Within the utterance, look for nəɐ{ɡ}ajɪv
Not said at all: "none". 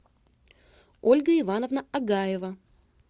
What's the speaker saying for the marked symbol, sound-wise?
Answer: ɡ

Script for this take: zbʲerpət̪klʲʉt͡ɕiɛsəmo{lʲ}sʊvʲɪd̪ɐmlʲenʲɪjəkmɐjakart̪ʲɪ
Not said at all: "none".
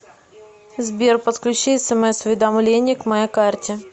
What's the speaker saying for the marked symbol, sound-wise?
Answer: none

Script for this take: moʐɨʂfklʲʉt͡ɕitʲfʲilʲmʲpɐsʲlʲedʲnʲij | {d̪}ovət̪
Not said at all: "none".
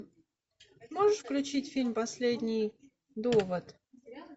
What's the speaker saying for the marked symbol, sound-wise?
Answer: d̪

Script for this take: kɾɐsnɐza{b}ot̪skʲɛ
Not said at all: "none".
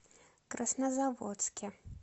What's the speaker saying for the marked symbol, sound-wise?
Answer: v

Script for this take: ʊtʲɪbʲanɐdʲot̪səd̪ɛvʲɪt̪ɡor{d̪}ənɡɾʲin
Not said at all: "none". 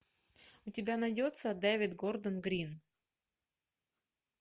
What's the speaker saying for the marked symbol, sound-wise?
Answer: d̪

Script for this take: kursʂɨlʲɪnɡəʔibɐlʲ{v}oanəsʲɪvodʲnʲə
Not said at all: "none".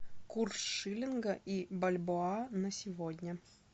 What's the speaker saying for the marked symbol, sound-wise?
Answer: b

